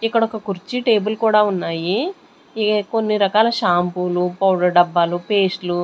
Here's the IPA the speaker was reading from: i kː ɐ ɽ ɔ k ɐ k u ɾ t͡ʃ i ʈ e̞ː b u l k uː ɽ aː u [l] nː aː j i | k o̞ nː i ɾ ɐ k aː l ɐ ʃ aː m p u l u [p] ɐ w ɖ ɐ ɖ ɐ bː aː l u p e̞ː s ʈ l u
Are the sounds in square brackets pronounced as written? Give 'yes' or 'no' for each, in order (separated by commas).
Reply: no, yes